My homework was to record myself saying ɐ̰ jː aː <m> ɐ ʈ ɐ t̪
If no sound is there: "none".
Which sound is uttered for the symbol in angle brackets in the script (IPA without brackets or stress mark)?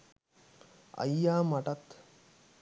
m